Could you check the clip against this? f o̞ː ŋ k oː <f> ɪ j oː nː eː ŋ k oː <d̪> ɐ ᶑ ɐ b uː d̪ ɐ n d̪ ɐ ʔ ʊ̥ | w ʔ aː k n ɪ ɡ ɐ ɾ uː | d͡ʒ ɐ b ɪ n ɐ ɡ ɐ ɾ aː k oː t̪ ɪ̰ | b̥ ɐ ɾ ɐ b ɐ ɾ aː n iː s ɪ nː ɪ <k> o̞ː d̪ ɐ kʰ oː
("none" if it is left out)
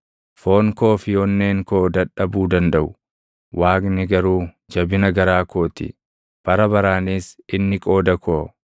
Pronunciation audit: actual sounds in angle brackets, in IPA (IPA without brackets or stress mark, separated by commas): f, d̪, kʼ